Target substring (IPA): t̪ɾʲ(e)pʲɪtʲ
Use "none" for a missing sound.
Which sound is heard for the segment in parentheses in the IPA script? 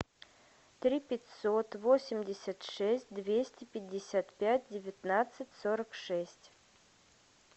i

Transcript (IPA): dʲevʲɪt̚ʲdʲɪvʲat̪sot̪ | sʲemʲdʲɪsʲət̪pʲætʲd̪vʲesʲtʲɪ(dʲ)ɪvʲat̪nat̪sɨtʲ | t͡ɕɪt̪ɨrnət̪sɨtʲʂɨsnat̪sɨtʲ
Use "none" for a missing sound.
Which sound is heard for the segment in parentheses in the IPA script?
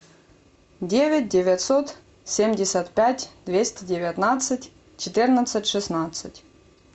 dʲ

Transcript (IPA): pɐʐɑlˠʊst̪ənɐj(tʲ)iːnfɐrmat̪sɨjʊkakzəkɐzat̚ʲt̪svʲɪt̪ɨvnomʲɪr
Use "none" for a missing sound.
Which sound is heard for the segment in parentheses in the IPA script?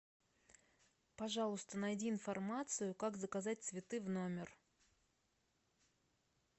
dʲ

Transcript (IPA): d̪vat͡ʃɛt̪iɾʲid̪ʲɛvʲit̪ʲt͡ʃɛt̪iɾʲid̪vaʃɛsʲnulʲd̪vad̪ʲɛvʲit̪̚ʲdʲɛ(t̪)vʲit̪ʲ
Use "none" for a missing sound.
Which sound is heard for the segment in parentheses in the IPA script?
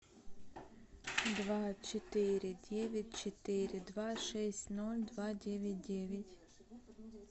none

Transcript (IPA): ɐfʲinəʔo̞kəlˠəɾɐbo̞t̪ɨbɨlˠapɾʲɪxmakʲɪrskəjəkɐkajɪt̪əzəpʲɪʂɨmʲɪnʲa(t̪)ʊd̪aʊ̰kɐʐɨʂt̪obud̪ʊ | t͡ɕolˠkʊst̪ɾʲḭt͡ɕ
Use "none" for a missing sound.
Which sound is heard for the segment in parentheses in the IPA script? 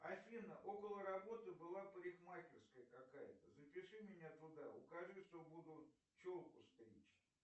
t̪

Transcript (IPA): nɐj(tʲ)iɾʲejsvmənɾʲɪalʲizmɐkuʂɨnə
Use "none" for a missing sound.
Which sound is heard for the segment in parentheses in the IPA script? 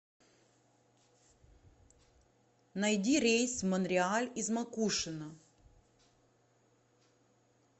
dʲ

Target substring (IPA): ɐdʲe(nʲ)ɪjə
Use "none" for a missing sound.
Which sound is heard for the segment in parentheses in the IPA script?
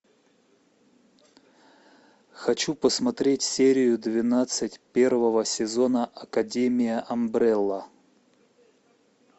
mʲ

